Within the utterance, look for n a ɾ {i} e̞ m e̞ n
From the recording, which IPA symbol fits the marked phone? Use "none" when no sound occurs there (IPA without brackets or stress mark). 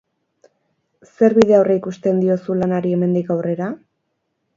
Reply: i